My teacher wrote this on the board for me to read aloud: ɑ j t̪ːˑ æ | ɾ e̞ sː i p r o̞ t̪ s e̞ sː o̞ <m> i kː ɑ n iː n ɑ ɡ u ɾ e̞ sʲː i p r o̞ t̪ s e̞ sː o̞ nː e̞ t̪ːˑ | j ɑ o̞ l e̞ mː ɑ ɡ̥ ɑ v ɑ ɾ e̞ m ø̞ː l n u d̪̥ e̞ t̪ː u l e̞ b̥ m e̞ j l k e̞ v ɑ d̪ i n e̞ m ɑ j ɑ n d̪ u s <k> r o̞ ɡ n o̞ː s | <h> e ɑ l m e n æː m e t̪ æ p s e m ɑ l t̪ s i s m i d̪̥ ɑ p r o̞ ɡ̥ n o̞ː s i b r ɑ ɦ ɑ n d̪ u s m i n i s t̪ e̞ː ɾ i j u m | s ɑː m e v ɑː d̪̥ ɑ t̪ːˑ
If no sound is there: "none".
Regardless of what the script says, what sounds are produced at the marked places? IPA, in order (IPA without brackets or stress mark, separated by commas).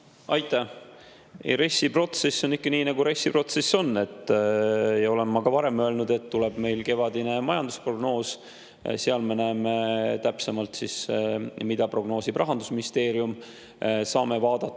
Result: n, p, s